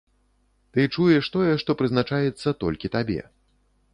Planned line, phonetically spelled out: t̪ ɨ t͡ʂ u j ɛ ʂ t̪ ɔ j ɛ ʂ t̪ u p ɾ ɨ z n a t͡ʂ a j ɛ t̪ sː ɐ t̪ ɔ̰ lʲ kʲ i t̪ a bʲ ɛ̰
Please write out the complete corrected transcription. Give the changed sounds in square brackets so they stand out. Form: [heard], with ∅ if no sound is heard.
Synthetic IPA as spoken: t̪ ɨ t͡ʂ u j ɛ ʂ t̪ ɔ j ɛ ʂ t̪ [ɔ] p ɾ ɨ z n a t͡ʂ a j ɛ t̪ sː ɐ t̪ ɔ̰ lʲ kʲ i t̪ a bʲ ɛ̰